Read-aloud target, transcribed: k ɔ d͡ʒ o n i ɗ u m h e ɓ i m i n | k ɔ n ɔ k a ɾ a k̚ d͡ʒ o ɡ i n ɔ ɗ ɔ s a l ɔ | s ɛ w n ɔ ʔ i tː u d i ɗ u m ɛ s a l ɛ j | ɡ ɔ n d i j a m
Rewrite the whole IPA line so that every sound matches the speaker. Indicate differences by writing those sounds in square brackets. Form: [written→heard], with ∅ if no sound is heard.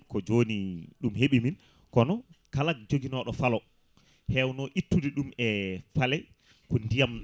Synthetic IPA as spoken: k ɔ d͡ʒ o n i ɗ u m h e ɓ i m i n | k ɔ n ɔ k a [ɾ→l] a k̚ d͡ʒ o ɡ i n ɔ ɗ ɔ [s→f] a l ɔ | [s→h] ɛ w n ɔ ʔ i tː u d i ɗ u m ɛ [s→f] a l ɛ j | [ɡ→k] ɔ n d i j a m